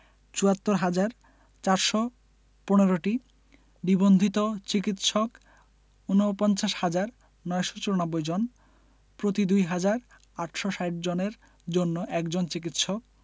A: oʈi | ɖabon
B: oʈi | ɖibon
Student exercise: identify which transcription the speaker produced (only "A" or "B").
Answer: B